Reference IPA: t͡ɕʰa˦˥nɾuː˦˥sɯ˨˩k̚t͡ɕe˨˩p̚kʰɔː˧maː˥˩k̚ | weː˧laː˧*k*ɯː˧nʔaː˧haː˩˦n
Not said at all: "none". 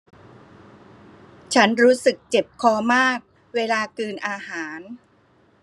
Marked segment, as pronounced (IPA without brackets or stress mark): k